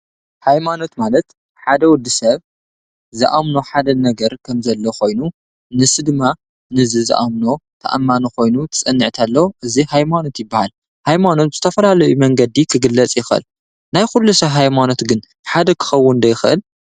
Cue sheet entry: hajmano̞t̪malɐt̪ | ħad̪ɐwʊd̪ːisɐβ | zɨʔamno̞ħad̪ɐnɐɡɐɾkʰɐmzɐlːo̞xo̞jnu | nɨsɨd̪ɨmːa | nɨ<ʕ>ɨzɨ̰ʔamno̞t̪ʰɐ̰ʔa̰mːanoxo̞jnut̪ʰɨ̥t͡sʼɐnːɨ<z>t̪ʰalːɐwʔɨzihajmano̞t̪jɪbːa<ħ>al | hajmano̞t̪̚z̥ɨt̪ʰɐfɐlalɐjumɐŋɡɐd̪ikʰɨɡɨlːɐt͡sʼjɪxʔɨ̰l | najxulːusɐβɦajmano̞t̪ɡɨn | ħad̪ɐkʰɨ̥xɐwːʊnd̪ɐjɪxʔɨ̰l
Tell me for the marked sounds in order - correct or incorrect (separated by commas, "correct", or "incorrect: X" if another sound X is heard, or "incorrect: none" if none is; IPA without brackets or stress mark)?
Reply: incorrect: z, incorrect: ʕ, incorrect: h